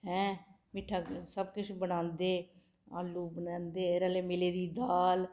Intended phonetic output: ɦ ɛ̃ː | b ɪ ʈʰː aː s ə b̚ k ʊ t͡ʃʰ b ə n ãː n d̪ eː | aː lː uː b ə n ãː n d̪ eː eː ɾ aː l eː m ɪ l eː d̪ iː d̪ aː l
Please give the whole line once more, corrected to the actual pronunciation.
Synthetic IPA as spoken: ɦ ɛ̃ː | m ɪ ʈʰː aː s ə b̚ k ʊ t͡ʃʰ b ə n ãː n d̪ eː | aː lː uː b ə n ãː n d̪ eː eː ɾ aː l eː m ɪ l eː d̪ iː d̪ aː l